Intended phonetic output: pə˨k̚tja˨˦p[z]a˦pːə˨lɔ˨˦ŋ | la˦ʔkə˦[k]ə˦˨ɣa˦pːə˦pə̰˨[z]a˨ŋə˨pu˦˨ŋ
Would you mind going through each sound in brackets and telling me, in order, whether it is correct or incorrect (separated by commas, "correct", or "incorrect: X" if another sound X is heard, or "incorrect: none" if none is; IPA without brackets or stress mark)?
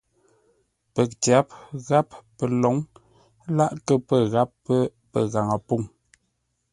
incorrect: ɣ, incorrect: p, incorrect: ɣ